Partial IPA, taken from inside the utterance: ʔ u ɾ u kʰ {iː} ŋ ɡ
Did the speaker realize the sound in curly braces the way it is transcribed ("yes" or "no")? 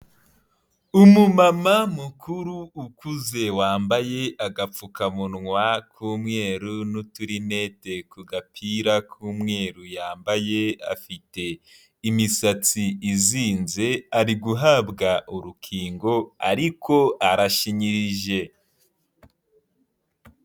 yes